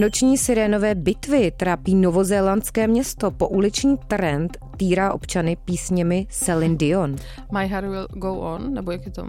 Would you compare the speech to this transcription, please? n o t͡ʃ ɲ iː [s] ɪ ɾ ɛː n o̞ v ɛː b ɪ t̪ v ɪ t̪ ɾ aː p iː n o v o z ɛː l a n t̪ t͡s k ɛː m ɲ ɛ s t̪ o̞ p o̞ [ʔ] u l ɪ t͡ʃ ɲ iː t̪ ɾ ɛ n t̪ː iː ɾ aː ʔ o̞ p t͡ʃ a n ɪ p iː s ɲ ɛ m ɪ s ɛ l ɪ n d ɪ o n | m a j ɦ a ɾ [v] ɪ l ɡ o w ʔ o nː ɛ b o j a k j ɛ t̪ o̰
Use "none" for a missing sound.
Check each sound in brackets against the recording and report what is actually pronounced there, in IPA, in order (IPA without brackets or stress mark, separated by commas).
s, ʔ, w